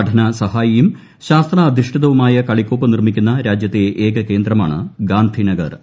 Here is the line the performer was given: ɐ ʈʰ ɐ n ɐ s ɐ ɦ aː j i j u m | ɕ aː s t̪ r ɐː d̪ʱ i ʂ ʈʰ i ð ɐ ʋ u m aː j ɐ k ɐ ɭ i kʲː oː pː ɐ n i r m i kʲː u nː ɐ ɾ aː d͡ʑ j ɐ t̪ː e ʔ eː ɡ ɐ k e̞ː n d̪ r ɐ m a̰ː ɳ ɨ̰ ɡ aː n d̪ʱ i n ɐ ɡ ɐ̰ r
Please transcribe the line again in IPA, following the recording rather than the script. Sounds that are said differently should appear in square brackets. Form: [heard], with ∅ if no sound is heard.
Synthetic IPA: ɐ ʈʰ ɐ n ɐ s ɐ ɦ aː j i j u m | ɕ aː s t̪ r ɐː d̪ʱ i ʂ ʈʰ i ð ɐ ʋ u m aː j ɐ k ɐ ɭ i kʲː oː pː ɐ n i r m i kʲː u nː ɐ ɾ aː d͡ʑ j ɐ t̪ː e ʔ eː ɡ ɐ k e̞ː n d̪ r ɐ m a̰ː ɳ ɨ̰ ɡ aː n d̪ʱ i n ɐ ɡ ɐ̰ r